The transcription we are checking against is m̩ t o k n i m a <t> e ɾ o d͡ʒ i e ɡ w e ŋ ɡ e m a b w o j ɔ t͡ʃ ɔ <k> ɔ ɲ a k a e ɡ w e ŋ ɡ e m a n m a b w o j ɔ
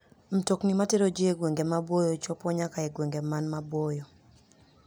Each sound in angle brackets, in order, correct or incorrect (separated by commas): correct, incorrect